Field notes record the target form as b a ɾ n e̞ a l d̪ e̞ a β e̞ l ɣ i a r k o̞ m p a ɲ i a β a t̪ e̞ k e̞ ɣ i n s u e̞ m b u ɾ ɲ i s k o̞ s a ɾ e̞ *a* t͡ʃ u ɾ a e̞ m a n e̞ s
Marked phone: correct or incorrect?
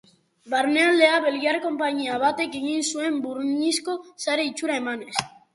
incorrect: i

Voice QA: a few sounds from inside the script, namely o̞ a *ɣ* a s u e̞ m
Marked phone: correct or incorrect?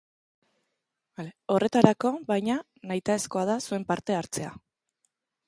incorrect: ð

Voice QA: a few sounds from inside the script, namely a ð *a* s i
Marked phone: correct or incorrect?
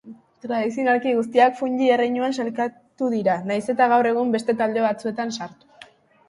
incorrect: i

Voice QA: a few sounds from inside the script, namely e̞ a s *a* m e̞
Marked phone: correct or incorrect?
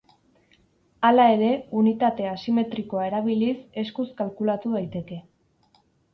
incorrect: i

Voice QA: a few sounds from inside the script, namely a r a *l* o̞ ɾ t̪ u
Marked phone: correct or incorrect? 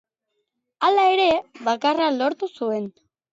correct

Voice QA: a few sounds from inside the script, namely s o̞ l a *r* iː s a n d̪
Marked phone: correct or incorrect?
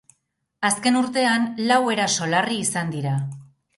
correct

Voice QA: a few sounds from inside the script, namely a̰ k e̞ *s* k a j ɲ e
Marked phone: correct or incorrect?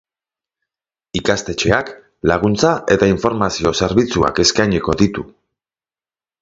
correct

